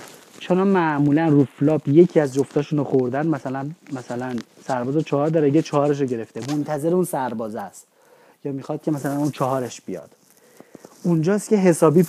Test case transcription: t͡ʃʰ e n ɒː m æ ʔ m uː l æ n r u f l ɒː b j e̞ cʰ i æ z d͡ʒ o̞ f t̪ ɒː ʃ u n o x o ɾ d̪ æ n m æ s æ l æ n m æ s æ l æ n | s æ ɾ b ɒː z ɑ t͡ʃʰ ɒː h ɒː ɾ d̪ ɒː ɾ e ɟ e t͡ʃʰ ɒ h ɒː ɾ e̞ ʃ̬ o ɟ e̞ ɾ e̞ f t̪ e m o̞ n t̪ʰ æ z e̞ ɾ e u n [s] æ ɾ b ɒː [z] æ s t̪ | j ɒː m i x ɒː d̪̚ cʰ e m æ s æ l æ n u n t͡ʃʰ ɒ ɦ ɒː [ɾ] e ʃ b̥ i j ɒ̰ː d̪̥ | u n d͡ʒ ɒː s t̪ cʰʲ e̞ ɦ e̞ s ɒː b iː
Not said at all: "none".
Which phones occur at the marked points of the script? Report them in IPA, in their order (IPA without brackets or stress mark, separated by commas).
s, z, ɾ